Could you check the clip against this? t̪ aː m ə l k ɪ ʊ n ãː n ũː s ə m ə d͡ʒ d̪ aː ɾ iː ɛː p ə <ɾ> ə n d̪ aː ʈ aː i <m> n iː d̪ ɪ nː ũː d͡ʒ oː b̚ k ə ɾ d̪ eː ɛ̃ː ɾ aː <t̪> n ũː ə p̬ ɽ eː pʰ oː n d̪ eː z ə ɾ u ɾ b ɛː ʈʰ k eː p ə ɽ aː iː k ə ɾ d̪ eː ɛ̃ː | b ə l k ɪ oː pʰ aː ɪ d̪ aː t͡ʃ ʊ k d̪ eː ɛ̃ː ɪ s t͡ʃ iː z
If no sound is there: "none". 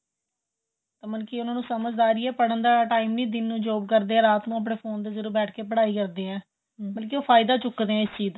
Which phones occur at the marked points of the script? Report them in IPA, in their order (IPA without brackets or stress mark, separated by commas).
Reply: ɽ, m, t̪